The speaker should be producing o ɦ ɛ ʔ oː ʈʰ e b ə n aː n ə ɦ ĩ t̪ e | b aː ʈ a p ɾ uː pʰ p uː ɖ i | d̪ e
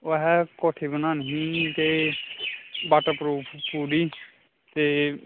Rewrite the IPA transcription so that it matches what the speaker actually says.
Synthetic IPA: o ɦ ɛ k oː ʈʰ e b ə n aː n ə ɦ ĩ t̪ e | b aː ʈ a p ɾ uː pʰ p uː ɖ i | t̪ e